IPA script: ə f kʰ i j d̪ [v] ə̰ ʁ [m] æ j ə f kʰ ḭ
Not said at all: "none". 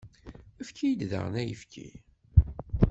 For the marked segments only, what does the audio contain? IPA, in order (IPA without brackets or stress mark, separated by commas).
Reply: ð, n